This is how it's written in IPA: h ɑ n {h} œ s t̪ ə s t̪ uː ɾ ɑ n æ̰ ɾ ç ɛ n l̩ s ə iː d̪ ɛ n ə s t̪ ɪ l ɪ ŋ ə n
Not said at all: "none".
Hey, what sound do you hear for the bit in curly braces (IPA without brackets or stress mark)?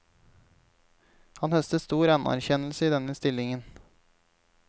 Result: h